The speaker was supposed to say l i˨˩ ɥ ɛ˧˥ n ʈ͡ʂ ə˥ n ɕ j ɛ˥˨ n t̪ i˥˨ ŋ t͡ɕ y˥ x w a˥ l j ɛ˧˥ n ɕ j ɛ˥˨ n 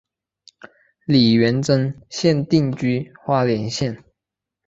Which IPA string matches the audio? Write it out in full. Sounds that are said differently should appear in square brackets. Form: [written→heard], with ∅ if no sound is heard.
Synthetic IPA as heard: l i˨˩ ɥ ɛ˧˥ n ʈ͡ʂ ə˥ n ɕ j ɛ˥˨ n t̪ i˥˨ ŋ t͡ɕ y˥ x w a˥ l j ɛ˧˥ n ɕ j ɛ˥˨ n